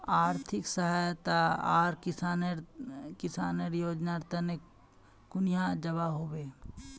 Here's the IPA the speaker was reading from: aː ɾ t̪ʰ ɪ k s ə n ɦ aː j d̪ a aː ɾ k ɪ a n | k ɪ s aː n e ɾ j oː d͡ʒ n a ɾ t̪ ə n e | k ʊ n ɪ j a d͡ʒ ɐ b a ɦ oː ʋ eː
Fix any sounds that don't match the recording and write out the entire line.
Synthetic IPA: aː ɾ t̪ʰ ɪ k s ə ɦ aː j t̪ a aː ɾ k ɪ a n | k ɪ s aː n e ɾ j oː d͡ʒ n a ɾ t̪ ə n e | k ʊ n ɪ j a d͡ʒ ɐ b a ɦ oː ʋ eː